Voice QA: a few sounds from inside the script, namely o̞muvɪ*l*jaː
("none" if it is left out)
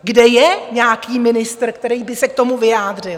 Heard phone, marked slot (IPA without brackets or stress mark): none